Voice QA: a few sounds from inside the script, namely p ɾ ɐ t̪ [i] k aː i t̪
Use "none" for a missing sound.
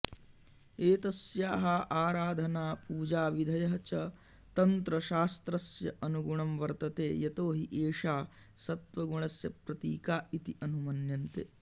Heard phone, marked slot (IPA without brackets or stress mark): iː